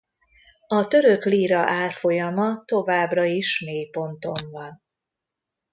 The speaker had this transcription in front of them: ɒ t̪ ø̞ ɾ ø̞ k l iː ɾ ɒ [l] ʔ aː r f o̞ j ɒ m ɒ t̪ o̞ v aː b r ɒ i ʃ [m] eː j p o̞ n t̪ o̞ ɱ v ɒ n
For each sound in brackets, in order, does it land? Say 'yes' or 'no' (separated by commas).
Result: no, yes